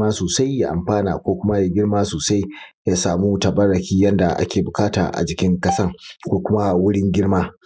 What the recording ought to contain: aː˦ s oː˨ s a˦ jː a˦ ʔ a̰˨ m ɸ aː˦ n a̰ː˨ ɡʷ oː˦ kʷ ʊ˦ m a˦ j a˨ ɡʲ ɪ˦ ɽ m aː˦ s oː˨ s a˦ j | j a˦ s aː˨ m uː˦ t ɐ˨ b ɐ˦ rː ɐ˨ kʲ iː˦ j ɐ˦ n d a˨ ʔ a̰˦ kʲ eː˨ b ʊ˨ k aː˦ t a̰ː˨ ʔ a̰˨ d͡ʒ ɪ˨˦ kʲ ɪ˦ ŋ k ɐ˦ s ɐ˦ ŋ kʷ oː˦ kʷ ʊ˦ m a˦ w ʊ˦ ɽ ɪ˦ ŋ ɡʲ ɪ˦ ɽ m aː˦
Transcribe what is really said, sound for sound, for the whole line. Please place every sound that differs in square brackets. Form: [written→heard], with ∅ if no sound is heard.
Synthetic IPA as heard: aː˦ s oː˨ s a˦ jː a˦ ʔ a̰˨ m ɸ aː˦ n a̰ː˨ [ɡʷ→kʷ] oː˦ kʷ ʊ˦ m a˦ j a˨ ɡʲ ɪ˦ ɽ m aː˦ s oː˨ s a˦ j | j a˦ s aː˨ m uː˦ t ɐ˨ b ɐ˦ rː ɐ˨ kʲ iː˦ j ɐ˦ n d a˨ ʔ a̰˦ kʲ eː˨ b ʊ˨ k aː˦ t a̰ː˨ ʔ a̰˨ d͡ʒ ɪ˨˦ kʲ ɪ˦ ŋ k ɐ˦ s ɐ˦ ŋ kʷ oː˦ kʷ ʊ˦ m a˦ w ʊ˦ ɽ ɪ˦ ŋ ɡʲ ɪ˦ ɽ m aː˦